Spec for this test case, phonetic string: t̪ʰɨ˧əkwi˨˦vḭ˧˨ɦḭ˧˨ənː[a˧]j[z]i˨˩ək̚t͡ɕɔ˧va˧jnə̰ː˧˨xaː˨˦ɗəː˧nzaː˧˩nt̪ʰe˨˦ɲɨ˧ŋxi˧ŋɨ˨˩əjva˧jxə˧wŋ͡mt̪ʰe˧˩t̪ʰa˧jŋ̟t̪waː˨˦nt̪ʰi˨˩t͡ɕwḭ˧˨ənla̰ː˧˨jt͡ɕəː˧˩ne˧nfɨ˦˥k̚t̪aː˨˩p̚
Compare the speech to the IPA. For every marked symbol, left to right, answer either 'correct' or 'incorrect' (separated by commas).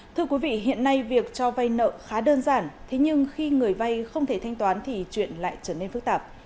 correct, incorrect